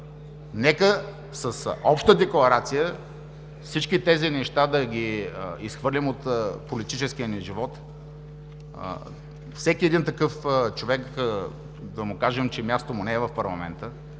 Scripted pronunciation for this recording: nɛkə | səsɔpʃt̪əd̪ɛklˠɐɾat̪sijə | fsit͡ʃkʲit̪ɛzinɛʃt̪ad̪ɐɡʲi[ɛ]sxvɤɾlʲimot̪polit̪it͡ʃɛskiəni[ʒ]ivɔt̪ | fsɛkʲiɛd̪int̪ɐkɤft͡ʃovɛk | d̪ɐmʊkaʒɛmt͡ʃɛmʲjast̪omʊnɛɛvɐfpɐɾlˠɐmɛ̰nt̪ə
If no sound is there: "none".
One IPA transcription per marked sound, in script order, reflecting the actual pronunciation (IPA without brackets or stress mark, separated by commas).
i, ʒ